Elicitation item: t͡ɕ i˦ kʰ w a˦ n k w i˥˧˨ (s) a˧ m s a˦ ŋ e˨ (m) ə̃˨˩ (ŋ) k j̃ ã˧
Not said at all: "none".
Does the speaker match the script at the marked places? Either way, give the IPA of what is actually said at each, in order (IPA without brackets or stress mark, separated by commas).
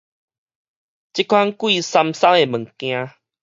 s, m, ŋ